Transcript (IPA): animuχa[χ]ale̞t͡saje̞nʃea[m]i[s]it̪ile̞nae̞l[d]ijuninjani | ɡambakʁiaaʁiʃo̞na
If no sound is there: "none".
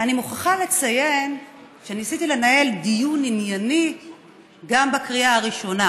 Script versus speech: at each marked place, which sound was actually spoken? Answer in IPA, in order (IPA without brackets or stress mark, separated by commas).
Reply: χ, n, s, d